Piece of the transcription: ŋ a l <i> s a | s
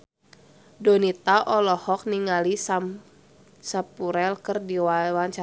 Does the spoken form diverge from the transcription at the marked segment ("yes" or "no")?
no